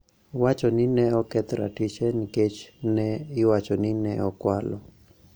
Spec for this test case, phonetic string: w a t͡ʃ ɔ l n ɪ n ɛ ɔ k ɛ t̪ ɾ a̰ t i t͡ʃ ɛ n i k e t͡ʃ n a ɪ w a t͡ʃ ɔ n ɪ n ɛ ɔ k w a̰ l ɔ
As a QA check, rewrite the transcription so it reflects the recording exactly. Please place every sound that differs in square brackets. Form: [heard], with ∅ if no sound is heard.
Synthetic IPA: w a t͡ʃ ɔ [∅] n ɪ n ɛ ɔ k ɛ t̪ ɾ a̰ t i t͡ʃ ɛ n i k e t͡ʃ n [ɛ] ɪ w a t͡ʃ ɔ n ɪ n ɛ ɔ k w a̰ l ɔ